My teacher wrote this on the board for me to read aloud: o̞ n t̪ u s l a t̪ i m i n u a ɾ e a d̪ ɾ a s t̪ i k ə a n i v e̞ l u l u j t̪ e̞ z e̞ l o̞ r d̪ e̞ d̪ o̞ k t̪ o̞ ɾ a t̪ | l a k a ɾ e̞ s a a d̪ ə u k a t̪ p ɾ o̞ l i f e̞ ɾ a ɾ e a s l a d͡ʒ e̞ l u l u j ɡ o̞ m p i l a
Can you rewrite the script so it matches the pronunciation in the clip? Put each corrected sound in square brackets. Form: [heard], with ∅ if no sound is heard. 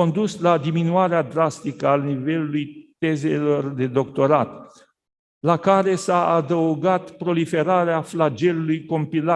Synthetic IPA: o̞ n [d̪] u s l a [d̪] i m i n u a ɾ e a d̪ ɾ a s t̪ i k ə a n i v e̞ l u l u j t̪ e̞ z e̞ l o̞ r d̪ e̞ d̪ o̞ k t̪ o̞ ɾ a t̪ | l a k a ɾ e̞ s a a d̪ ə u [ɡ] a t̪ p ɾ o̞ l i f e̞ ɾ a ɾ e a [f] l a d͡ʒ e̞ l u l u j [k] o̞ m p i l a